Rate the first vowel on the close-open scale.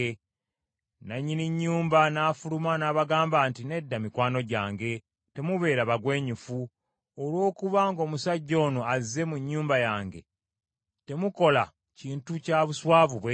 open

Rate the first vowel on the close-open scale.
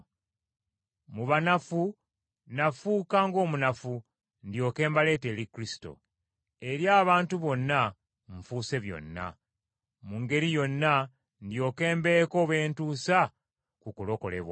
close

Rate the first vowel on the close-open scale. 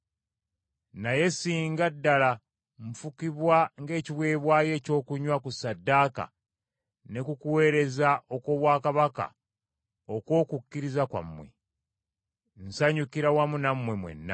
open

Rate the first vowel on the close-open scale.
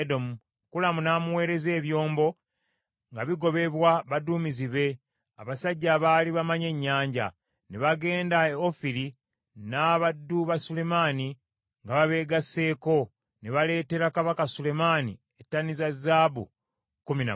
mid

